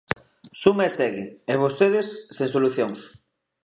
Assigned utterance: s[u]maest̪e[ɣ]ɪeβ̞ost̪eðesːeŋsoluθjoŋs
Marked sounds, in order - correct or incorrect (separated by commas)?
correct, correct